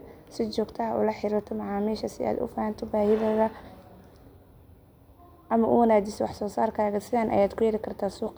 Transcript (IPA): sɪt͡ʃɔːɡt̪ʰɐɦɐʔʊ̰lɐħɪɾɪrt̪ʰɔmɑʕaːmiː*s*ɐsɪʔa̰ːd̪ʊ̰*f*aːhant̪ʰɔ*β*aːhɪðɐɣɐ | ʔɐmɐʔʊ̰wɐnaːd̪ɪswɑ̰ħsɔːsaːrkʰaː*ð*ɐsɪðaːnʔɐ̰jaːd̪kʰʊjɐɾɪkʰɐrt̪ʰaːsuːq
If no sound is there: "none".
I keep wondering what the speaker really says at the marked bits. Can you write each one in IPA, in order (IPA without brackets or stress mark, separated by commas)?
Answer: ʃ, f, b, ɣ